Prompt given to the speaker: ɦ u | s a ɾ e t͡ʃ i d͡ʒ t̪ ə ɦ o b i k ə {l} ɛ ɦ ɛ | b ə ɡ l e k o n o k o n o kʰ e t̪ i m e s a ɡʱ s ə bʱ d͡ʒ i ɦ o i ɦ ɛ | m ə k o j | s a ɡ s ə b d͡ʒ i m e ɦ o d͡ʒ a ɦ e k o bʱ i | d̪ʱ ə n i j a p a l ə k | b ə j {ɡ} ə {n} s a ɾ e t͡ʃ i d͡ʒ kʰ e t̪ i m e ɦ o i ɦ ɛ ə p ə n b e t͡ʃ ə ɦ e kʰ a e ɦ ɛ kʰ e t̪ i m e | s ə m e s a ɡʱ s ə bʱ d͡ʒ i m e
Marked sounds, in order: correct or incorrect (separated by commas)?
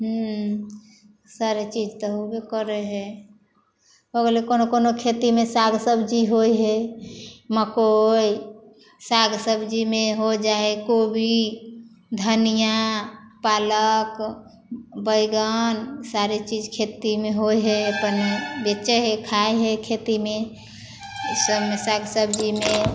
incorrect, correct, correct